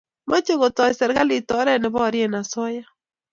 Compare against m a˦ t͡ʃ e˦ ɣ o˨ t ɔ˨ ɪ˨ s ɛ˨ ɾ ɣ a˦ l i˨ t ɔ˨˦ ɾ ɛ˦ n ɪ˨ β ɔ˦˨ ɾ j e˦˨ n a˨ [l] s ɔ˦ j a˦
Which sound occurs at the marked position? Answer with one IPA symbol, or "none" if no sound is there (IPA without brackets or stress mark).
none